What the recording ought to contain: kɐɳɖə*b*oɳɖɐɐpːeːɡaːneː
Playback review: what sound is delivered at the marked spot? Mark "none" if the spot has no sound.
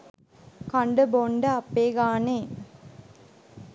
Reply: b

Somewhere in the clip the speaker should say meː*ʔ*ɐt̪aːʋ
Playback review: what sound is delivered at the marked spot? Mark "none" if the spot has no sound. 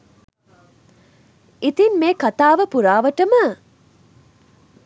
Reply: k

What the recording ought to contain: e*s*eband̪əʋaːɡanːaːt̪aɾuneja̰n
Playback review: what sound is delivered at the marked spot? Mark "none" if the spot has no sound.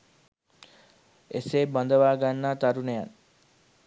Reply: s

